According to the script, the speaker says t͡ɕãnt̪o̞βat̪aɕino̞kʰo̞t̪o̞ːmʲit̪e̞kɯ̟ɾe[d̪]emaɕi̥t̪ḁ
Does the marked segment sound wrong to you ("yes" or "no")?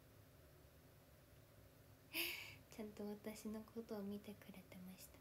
yes